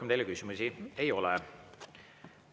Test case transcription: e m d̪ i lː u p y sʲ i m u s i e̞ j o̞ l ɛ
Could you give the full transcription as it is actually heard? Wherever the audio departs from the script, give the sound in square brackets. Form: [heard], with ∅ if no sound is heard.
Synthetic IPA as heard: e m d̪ [e] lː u [k] y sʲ i m u s i e̞ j o̞ l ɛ